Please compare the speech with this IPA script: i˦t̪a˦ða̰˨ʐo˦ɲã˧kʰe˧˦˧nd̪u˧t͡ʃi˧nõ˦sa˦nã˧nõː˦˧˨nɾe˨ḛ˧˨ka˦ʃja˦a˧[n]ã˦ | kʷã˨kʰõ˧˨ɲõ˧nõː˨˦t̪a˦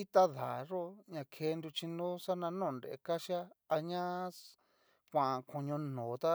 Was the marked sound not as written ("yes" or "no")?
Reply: yes